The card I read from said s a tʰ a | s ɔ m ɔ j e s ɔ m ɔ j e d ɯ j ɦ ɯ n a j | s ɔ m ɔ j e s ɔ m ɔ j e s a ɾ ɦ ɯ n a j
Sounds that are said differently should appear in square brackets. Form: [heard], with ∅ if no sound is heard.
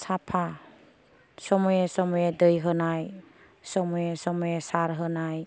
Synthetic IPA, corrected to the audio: s a [pʰ] a | s ɔ m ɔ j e s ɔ m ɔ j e d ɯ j ɦ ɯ n a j | s ɔ m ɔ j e s ɔ m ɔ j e s a ɾ ɦ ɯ n a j